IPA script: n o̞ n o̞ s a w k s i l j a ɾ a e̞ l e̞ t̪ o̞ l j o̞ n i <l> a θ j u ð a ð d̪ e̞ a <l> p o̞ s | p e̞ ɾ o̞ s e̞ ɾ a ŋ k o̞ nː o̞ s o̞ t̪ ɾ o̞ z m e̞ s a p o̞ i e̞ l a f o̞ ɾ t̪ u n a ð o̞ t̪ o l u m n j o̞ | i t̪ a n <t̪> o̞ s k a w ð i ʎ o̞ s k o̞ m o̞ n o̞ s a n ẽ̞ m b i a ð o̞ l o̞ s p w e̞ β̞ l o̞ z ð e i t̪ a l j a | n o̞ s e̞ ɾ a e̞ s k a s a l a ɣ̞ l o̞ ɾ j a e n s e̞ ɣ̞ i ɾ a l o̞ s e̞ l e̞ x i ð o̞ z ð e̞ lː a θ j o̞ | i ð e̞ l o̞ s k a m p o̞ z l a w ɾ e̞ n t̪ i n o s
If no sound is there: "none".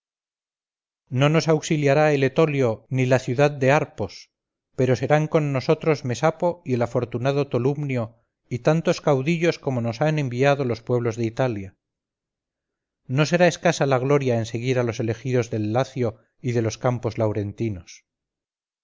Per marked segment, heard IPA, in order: l, ɾ, t̪

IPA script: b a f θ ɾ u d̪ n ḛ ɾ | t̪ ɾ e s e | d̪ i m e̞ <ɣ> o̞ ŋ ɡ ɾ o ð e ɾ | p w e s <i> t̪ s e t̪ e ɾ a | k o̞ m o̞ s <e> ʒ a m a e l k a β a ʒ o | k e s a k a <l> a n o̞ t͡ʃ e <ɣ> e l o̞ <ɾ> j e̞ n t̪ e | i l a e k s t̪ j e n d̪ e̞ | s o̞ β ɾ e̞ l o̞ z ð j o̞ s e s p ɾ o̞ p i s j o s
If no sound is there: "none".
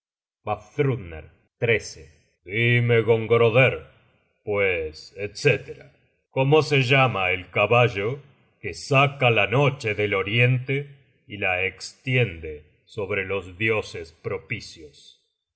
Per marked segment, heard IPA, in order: ɣ, e, e, l, ð, ɾ

